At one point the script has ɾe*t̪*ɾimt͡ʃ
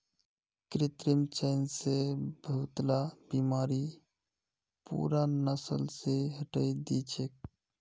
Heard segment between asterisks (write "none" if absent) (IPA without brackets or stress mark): t̪